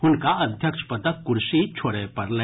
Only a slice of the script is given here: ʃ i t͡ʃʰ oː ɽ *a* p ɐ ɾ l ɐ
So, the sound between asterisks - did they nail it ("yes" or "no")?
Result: no